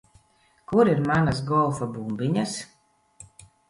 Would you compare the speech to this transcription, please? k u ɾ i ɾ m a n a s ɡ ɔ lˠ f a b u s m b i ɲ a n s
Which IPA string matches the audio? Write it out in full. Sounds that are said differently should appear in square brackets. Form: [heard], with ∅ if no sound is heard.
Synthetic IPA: k u ɾ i ɾ m a n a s ɡ ɔ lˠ f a b u [∅] m b i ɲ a [∅] s